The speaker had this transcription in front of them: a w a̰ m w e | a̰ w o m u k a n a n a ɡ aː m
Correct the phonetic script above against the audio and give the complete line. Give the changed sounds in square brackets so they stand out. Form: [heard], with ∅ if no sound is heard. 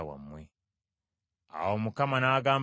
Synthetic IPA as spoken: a w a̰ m w e | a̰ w o m u k a [m] a n a ɡ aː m

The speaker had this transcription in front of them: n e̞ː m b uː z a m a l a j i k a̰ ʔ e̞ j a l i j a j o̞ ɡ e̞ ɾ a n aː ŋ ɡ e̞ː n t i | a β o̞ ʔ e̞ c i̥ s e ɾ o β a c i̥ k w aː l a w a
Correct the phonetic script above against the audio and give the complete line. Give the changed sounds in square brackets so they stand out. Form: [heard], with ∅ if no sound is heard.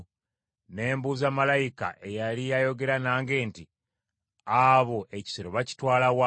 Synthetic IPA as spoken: n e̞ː m b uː z a m a l a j i k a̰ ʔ e̞ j a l i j a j o̞ ɡ e̞ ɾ a n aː ŋ ɡ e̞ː n t i | a β o̞ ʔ e̞ c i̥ s e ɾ o β a c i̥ [t] w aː l a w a

